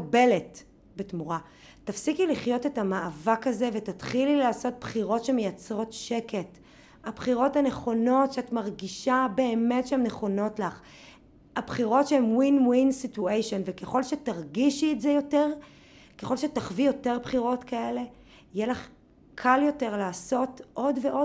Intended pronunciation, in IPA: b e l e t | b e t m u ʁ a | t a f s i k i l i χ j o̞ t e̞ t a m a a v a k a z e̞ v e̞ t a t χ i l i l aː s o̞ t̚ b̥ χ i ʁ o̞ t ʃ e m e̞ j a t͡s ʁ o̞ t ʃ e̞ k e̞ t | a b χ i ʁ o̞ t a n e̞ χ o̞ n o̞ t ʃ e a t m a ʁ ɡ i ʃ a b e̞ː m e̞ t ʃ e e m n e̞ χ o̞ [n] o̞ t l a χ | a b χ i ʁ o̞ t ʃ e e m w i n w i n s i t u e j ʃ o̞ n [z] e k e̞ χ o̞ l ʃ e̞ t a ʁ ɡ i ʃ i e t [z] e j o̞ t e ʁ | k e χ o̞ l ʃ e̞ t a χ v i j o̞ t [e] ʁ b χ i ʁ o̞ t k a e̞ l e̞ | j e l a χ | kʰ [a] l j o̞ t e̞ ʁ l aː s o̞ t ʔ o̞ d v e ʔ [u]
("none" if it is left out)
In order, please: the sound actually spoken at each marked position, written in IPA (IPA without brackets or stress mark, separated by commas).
n, v, z, e, a, o